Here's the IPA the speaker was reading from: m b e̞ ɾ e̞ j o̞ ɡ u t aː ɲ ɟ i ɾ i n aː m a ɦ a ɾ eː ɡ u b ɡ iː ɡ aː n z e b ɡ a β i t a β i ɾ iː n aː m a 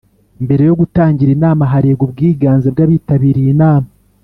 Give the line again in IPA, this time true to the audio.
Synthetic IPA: m b e̞ ɾ e̞ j o̞ ɡ u t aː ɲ ɟ i ɾ i n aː m a ɦ a ɾ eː ɡ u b ɡ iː ɡ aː n z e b ɡ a β i t a β i ɾ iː n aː m a